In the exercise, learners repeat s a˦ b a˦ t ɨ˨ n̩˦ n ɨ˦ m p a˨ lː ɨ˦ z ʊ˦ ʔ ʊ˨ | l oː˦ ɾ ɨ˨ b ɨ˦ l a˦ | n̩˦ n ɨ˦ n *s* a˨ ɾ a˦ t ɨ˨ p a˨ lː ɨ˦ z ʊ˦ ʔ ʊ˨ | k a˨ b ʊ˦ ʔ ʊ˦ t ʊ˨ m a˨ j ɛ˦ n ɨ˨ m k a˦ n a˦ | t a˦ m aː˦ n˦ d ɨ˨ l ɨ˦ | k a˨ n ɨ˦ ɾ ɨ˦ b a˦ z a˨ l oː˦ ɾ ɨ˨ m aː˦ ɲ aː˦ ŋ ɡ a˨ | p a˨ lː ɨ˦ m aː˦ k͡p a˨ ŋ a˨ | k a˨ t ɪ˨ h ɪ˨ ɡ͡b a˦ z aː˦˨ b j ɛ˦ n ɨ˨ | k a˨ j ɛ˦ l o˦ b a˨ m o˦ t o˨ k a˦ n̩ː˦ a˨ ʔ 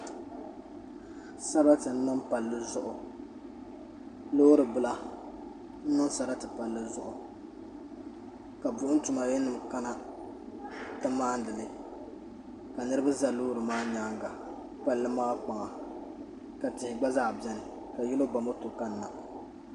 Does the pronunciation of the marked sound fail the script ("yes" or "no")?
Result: no